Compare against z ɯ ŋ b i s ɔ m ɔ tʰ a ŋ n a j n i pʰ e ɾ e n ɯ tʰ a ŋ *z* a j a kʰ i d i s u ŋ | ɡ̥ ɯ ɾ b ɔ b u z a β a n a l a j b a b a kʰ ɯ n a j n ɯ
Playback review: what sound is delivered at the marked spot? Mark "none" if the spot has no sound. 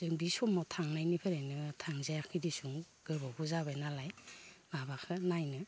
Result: z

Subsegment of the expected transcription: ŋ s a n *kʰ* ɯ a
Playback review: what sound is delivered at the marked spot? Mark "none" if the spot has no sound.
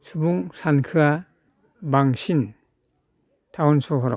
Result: kʰ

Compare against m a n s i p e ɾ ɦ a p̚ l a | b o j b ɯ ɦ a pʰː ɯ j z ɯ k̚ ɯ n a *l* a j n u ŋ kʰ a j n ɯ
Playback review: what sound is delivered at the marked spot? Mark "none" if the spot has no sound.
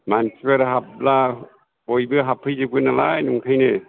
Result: l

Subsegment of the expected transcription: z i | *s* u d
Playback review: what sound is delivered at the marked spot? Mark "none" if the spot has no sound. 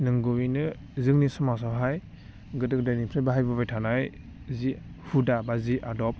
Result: h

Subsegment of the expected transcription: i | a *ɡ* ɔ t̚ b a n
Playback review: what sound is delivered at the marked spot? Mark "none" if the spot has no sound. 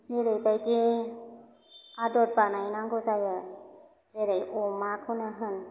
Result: d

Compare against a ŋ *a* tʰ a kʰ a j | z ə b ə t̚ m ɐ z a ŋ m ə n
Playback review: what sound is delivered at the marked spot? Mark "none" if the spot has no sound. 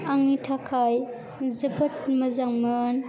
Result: i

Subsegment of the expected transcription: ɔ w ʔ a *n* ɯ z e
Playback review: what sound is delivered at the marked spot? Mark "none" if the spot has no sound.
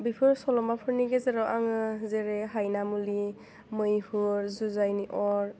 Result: ŋ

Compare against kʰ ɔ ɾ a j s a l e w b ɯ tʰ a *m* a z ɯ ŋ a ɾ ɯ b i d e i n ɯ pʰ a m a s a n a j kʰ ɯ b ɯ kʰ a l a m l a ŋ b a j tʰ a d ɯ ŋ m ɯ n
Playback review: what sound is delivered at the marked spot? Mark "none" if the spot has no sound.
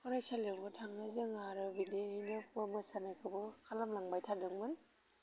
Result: ŋ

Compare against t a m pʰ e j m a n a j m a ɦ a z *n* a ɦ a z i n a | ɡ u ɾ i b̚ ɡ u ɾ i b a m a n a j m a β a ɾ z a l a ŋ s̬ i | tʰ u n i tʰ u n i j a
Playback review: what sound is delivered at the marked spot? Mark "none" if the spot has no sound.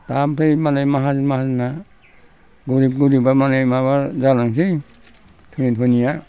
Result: m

